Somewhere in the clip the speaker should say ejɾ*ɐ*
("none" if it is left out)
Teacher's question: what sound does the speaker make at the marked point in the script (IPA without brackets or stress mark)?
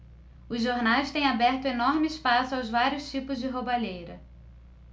ɐ